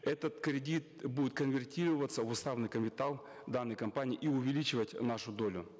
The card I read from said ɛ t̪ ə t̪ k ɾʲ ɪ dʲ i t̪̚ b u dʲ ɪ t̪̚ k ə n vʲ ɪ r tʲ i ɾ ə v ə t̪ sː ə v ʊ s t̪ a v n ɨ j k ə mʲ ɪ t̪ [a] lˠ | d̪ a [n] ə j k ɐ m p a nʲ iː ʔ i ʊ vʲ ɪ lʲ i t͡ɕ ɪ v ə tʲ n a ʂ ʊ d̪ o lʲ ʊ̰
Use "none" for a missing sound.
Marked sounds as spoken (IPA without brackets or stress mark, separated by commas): a, nː